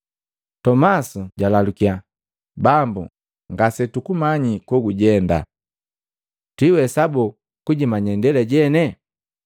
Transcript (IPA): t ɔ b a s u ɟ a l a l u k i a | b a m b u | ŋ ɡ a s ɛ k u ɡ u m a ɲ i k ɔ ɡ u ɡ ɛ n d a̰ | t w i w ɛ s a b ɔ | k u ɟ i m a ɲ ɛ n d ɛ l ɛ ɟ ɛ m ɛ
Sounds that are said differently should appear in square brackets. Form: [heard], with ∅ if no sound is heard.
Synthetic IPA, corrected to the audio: t ɔ [m] a s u ɟ a l a l u k i a | b a m b u | ŋ ɡ a s ɛ [t] u [k] u m a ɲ i k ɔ ɡ u [ɟ] ɛ n d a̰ | t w i w ɛ s a b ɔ | k u ɟ i m a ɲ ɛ n d ɛ l ɛ ɟ ɛ [n] ɛ